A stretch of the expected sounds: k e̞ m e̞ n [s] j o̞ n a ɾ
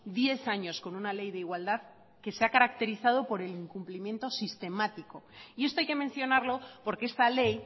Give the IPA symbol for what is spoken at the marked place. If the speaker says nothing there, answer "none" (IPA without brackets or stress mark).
θ